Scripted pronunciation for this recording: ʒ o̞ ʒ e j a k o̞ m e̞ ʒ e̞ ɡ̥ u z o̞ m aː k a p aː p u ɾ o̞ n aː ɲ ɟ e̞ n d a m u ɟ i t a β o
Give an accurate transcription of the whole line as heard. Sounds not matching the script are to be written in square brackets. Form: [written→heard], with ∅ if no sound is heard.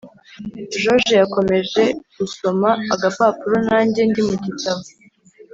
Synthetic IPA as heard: ʒ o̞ ʒ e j a k o̞ m e̞ ʒ e̞ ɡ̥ u [z→s] o̞ m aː [k→ɡ] a p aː p u ɾ o̞ n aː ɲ ɟ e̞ n d [a→i] m u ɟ i t a β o